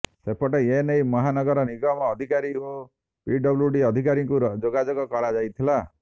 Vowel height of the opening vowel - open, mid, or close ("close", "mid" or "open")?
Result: mid